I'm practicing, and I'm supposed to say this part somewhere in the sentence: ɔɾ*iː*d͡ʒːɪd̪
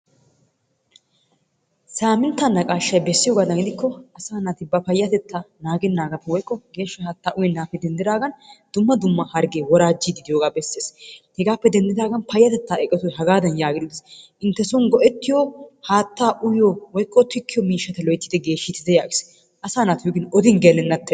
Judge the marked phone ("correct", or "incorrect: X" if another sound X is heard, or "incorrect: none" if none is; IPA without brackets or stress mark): incorrect: aː